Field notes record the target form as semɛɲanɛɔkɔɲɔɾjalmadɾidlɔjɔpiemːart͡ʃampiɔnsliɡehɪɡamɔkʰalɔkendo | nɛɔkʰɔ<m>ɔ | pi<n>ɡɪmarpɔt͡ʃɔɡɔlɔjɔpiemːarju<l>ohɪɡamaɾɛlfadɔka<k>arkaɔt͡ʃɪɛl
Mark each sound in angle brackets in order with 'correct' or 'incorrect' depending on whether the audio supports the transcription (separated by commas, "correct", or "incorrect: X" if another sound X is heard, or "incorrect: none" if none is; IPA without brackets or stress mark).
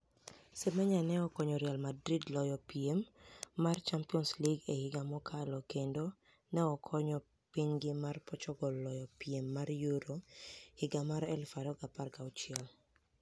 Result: incorrect: ɲ, incorrect: ɲ, incorrect: ɾ, incorrect: p